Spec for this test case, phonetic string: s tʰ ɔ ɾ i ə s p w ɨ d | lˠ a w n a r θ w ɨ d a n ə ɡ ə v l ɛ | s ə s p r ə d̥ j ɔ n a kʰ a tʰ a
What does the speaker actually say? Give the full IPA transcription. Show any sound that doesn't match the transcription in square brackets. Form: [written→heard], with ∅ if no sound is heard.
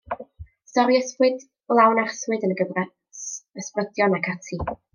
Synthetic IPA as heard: s [tʰ→t] ɔ ɾ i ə s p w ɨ d | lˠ a w n a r [θ→s] w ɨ d [a→ə] n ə ɡ ə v [l→r] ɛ | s ə s p r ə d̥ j ɔ n a kʰ a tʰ [a→i]